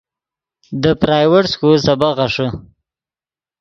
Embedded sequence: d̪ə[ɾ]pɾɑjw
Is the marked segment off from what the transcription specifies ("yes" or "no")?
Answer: yes